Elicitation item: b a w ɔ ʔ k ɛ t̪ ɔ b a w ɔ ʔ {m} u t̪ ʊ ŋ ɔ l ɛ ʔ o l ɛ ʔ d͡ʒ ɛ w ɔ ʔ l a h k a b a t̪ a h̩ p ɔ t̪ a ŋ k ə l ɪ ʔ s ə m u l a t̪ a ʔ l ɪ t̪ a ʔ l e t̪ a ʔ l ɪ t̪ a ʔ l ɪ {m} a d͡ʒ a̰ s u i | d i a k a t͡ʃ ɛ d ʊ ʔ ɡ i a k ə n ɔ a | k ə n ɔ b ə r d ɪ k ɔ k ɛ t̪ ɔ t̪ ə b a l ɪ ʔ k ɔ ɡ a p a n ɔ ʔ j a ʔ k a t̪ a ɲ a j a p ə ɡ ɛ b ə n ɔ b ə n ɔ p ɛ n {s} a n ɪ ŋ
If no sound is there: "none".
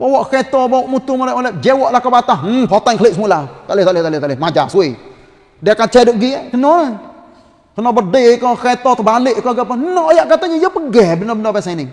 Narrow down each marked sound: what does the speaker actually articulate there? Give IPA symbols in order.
m, m, s

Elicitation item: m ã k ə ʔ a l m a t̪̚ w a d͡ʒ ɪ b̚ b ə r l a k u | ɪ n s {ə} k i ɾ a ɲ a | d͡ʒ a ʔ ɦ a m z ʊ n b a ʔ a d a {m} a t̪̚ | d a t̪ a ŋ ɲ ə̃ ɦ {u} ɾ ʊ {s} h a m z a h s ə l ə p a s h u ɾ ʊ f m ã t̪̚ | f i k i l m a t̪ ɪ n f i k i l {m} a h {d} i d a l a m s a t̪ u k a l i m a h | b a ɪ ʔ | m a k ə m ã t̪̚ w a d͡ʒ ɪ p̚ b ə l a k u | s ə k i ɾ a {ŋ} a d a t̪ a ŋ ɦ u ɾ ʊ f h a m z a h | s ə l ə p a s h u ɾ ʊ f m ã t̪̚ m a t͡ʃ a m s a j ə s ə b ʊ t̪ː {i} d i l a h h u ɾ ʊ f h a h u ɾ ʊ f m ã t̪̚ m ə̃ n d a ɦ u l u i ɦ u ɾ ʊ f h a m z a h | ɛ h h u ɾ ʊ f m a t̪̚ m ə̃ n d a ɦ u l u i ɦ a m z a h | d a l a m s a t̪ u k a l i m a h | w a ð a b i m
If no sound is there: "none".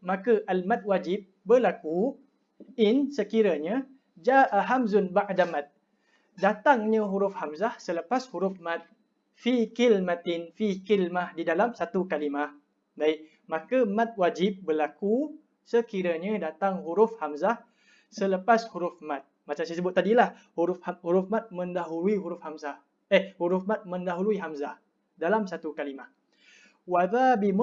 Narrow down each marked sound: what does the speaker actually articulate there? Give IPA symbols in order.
ə, m, u, f, m, d, ɲ, a

